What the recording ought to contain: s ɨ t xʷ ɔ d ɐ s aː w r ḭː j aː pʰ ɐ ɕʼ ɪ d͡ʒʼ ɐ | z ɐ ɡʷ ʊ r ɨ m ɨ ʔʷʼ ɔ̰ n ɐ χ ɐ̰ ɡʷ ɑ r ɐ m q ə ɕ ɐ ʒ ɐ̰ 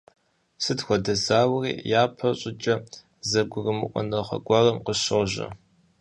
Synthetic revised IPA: s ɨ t xʷ ɔ d ɐ z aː w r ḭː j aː pʰ ɐ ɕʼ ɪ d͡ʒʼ ɐ | z ɐ ɡʷ ʊ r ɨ m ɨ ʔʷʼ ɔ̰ n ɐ χ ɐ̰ ɡʷ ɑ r ɐ m q ə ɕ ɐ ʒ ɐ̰